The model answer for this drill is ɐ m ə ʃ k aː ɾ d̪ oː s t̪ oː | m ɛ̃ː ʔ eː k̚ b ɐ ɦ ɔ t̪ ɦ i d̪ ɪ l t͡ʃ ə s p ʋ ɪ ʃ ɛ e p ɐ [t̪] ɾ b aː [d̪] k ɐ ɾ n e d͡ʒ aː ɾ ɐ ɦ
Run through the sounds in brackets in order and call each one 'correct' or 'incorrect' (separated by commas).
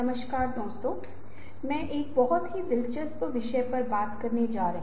incorrect, incorrect